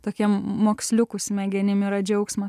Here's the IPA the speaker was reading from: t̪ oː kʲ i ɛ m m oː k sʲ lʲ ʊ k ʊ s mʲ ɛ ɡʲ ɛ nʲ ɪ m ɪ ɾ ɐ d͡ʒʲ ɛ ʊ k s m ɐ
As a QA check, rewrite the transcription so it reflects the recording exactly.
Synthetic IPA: t̪ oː kʲ i ɛ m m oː k sʲ lʲ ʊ k ʊ s mʲ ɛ ɡʲ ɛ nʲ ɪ m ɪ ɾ ɐ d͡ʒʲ ɛ ʊ k s m ɐ